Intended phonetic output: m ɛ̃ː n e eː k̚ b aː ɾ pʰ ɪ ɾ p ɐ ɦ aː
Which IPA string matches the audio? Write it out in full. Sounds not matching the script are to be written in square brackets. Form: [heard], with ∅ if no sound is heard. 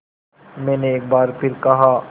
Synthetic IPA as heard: m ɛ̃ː n e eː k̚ b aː ɾ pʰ ɪ ɾ [k] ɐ ɦ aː